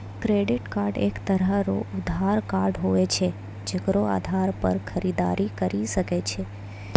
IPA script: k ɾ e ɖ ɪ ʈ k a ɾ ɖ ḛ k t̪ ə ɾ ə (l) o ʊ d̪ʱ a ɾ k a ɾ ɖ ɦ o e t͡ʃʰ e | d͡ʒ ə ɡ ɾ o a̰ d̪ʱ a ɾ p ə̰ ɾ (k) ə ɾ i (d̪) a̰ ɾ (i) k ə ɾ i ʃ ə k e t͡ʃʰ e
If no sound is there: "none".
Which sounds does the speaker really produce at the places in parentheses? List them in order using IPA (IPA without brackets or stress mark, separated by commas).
ɾ, kʰ, d̪, i